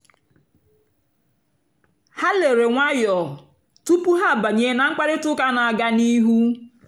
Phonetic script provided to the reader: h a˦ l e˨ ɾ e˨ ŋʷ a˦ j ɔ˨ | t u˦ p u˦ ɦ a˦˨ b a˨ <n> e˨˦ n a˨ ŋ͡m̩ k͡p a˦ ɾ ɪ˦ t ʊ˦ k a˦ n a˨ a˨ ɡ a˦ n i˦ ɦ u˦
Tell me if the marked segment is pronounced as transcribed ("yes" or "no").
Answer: no